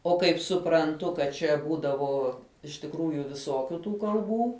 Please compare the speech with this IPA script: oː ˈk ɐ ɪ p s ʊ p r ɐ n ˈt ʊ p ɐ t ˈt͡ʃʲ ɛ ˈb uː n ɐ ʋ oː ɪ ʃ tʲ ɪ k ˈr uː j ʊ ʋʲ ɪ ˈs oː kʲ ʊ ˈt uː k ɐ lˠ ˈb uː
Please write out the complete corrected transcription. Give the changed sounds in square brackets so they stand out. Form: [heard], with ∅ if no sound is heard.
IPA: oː ˈk ɐ ɪ p s ʊ p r ɐ n ˈt ʊ [k] ɐ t ˈt͡ʃʲ ɛ ˈb uː [d] ɐ ʋ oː ɪ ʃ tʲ ɪ k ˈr uː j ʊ ʋʲ ɪ ˈs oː kʲ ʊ ˈt uː k ɐ lˠ ˈb uː